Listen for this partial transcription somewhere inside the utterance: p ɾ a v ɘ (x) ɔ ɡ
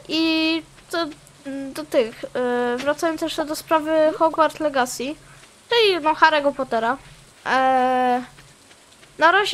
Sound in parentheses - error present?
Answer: no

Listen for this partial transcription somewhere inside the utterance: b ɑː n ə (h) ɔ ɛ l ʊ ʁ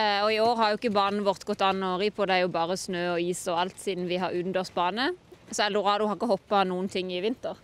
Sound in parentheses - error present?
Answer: yes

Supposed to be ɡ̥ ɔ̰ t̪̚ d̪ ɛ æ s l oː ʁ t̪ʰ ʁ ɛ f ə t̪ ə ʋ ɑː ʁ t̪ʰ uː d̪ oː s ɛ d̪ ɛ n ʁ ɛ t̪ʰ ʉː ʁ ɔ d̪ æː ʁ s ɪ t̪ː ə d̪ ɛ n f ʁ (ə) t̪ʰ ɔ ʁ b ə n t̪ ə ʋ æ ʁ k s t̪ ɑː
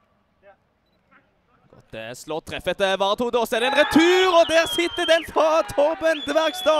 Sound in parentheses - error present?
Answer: yes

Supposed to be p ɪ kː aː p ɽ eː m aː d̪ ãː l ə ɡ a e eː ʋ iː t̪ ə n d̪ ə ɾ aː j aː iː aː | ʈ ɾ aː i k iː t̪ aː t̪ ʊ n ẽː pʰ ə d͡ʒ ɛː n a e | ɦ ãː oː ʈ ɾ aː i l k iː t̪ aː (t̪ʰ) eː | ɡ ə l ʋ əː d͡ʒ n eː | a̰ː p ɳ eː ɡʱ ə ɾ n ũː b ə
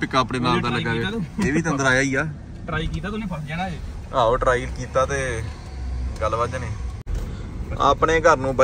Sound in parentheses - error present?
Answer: yes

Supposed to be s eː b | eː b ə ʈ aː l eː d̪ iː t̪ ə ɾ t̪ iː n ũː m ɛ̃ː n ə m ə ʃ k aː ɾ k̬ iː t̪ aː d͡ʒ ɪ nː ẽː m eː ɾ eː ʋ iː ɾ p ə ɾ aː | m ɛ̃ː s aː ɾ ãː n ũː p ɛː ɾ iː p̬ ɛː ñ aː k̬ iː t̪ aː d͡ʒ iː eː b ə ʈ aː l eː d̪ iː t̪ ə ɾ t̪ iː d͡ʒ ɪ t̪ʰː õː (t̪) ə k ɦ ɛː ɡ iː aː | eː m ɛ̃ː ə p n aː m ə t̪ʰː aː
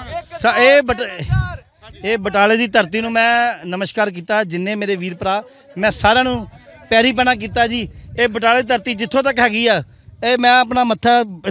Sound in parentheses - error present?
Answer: no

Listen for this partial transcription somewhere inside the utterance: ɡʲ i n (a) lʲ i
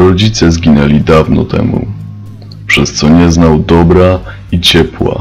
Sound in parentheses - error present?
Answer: yes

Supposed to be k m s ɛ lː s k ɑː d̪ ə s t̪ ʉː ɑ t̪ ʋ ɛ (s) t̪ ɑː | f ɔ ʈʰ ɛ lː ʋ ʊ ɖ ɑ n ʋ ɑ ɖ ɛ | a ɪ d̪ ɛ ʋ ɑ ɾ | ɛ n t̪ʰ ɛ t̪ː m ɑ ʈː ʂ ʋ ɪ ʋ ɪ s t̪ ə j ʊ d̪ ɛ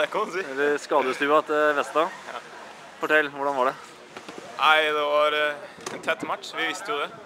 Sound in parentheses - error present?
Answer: no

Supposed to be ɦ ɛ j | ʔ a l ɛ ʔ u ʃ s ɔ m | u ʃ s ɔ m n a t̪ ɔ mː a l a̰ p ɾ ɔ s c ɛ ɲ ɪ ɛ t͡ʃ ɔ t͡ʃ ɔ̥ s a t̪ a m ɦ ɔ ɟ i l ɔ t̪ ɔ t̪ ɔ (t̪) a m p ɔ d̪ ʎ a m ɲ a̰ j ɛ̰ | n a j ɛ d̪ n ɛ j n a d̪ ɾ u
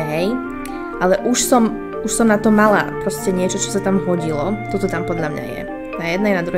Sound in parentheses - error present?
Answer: no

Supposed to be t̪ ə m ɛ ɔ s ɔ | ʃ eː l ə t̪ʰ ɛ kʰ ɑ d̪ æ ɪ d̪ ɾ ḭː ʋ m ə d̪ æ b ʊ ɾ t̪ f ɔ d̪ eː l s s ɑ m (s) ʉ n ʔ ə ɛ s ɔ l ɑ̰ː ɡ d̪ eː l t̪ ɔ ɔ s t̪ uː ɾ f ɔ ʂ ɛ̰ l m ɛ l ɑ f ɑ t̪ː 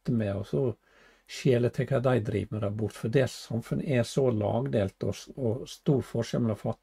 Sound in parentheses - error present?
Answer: yes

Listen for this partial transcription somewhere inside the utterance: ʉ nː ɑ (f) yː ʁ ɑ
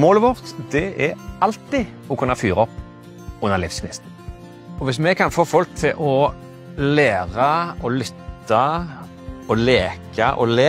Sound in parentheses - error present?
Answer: no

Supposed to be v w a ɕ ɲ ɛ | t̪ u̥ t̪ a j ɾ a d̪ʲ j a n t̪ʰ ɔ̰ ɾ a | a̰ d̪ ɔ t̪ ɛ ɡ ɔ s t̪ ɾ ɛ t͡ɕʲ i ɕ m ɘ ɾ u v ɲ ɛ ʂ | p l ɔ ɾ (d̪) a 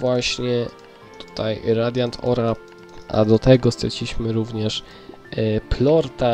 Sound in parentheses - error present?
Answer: yes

